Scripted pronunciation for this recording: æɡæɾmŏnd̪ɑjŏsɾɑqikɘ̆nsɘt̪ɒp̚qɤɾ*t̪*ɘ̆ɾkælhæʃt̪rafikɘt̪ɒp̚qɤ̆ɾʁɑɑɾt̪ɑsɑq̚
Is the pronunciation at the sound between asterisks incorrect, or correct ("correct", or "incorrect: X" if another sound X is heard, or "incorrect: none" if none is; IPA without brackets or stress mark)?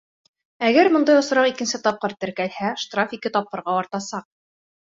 correct